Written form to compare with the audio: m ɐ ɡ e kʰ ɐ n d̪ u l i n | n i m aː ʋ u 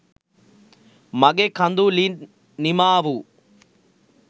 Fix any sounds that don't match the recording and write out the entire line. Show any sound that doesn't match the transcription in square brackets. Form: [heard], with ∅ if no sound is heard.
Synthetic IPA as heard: m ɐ ɡ e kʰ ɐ n d̪ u l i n | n i m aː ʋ u